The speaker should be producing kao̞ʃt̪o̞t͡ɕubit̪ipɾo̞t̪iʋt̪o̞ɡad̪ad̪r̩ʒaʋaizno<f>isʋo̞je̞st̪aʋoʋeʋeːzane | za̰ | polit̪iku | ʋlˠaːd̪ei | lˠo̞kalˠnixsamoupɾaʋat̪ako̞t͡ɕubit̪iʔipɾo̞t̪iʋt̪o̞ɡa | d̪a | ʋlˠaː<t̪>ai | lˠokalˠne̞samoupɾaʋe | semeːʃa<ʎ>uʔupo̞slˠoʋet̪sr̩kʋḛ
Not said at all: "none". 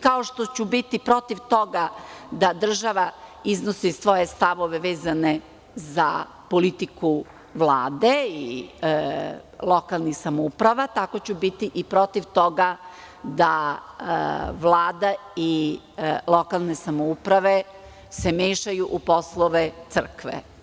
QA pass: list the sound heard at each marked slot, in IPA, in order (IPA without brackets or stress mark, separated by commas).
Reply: s, d̪, j